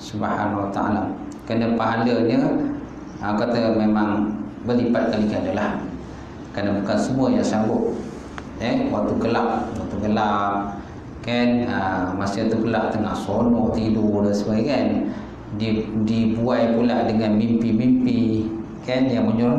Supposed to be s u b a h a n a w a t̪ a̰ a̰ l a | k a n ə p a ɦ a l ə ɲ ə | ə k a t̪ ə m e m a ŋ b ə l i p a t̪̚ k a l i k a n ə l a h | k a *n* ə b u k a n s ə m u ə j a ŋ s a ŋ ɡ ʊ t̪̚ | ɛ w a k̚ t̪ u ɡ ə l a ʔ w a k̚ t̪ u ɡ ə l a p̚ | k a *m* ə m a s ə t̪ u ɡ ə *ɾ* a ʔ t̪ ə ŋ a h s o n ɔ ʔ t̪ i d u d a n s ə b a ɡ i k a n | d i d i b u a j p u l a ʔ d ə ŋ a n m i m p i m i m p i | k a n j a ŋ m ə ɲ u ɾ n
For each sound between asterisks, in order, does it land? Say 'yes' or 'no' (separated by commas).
yes, no, no